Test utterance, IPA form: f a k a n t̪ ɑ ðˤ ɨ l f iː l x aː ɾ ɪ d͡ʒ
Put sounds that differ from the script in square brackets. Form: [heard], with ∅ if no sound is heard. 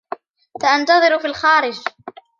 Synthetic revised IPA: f a [ʔ] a n t̪ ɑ ðˤ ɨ [ɾ] f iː l x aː ɾ ɪ d͡ʒ